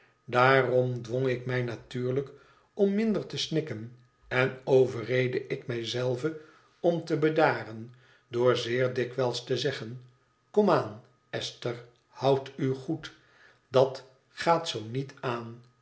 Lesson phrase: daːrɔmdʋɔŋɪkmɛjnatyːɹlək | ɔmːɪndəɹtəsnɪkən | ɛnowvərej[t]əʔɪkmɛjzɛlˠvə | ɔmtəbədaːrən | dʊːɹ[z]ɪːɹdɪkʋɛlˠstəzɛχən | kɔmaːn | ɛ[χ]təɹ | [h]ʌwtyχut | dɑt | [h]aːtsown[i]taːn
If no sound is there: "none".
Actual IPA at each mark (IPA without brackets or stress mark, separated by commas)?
d, z, s, h, χ, i